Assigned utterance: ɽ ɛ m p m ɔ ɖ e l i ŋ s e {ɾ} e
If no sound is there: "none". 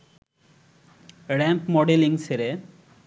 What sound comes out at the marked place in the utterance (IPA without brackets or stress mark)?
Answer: ɾ